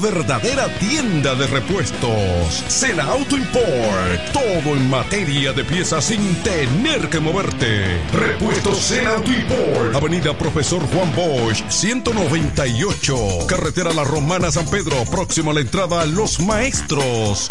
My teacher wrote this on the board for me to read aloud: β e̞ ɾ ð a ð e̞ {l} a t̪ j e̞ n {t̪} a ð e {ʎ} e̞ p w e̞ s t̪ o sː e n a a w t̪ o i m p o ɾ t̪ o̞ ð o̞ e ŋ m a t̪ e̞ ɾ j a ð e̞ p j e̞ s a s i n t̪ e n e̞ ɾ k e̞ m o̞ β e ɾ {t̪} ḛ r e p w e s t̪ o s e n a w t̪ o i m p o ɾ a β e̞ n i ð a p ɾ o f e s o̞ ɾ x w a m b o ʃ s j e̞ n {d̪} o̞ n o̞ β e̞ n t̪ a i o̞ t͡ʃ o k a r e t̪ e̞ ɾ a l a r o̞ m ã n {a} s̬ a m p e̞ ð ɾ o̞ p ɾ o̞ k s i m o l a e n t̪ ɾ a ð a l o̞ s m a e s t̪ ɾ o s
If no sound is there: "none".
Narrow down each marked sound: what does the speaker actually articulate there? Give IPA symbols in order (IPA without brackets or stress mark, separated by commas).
ɾ, d̪, r, t̪, t̪, a